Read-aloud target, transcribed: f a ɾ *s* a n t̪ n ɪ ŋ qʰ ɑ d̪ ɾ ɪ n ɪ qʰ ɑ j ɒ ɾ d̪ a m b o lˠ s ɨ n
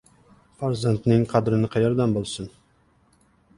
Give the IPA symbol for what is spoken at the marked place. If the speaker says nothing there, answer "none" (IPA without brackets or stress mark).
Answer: z